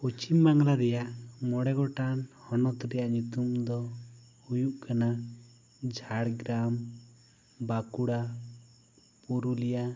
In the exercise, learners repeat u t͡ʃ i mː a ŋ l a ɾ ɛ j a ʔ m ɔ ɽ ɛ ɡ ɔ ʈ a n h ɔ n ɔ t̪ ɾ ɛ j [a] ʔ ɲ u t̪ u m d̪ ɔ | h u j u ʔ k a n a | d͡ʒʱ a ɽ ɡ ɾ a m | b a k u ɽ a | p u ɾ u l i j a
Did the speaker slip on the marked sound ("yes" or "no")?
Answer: no